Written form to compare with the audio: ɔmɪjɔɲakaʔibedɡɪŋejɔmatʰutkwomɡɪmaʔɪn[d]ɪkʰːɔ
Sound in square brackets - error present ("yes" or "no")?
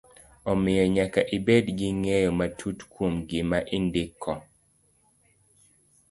no